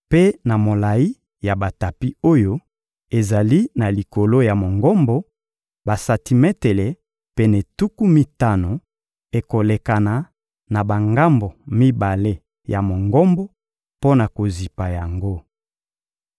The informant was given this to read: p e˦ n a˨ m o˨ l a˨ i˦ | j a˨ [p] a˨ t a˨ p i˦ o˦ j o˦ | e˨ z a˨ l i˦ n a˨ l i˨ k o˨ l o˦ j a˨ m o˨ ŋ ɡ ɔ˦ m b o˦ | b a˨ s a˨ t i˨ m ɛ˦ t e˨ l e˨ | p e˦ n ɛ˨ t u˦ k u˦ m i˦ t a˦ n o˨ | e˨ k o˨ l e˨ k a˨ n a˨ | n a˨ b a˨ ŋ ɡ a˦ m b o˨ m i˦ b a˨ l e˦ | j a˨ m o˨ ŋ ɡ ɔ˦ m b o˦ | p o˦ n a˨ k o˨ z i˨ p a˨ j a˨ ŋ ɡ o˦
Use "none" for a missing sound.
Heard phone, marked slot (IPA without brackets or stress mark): b